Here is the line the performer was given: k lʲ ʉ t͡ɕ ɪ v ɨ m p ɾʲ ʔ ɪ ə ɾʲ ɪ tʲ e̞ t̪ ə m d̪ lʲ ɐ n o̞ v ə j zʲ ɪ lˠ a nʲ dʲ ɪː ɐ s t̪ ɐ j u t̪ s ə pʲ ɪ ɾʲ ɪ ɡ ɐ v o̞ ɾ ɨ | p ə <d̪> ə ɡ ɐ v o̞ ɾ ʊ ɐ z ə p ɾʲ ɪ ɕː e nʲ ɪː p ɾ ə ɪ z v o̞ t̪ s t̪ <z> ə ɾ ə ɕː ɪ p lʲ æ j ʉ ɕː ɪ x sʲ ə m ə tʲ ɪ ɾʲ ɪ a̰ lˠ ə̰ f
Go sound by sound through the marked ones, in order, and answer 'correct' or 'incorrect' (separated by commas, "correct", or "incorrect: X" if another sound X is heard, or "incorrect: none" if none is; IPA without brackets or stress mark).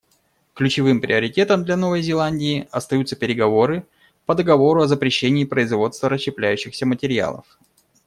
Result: correct, incorrect: v